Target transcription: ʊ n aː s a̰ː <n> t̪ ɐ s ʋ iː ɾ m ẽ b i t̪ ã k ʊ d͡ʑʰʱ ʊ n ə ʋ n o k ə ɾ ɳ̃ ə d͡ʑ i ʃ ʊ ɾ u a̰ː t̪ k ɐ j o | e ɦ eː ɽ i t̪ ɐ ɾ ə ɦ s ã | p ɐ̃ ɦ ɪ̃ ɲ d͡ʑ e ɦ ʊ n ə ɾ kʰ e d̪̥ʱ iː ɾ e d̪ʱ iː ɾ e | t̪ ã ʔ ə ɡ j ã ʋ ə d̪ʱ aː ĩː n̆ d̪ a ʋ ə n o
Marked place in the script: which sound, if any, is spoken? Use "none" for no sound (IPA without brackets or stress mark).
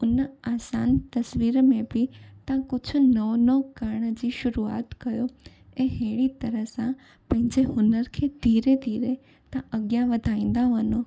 n